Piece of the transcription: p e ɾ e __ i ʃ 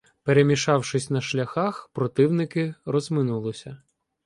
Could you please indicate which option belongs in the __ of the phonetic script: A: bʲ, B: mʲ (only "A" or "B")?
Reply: B